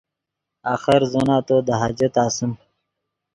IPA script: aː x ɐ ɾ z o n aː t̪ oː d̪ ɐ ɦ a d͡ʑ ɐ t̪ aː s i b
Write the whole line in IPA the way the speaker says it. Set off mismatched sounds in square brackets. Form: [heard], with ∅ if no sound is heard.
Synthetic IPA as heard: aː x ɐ ɾ z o n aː t̪ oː d̪ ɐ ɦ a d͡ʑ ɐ t̪ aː s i [m]